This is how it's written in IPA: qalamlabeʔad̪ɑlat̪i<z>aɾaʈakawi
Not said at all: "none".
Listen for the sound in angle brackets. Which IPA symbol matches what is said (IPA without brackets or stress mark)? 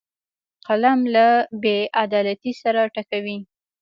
s